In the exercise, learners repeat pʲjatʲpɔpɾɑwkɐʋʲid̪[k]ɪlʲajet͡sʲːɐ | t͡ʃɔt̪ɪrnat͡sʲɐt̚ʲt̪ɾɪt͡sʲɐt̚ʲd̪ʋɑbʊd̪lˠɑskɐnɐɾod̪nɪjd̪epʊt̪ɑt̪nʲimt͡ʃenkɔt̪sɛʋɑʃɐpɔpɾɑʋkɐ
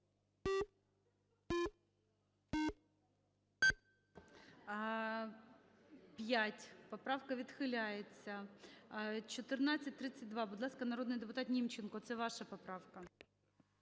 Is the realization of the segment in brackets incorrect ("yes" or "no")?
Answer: yes